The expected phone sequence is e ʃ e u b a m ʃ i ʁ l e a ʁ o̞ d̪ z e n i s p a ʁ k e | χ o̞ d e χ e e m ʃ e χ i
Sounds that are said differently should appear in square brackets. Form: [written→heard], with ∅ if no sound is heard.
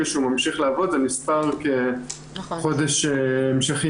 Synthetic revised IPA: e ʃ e u [b→m] a m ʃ i [ʁ→χ] l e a [ʁ→v] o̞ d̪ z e n i s p a ʁ k e | χ o̞ d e [χ→ʃ] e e m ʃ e χ i

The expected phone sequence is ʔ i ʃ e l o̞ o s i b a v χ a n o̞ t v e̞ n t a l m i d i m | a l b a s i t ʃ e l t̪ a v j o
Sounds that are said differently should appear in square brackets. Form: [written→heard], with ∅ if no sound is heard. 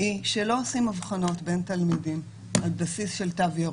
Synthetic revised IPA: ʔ i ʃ e l o̞ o s i [b→m] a v χ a n o̞ t [v→b] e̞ n t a l m i d i m | a l b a s i [t→s] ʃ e l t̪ a v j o

